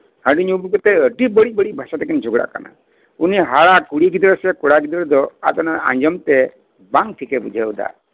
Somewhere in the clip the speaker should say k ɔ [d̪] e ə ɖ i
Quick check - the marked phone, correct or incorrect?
incorrect